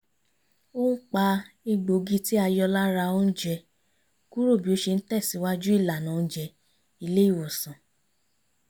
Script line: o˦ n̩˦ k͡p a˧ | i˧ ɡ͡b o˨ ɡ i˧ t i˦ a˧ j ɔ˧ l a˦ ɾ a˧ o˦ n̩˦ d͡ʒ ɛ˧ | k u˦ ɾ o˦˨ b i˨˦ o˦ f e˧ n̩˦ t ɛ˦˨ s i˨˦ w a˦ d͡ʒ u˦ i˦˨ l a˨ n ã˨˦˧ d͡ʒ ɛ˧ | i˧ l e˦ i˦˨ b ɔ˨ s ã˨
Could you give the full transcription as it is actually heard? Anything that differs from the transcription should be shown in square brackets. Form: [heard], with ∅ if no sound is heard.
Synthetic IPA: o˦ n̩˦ k͡p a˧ | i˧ ɡ͡b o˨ ɡ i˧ t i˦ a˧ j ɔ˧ l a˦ ɾ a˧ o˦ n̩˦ d͡ʒ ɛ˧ | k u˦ ɾ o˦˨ b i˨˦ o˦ [ʃ] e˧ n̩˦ t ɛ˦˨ s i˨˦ w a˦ d͡ʒ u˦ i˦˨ l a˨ n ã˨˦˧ d͡ʒ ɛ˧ | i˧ l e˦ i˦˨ [w] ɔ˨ s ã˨